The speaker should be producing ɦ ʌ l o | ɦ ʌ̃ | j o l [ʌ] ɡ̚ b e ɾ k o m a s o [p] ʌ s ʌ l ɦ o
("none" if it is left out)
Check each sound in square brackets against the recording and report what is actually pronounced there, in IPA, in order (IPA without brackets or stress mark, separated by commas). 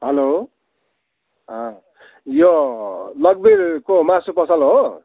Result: ʌ, p